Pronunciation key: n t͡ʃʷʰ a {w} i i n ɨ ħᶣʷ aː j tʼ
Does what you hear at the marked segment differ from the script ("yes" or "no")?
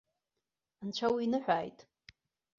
no